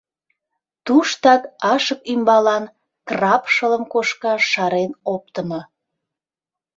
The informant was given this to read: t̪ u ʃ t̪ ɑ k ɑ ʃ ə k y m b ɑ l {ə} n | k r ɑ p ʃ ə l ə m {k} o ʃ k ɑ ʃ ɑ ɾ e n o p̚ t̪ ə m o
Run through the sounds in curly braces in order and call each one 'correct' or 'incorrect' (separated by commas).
incorrect, correct